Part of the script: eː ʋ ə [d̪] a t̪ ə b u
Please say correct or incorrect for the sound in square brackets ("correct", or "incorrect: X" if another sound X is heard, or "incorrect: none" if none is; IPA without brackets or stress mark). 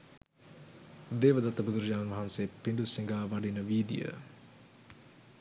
correct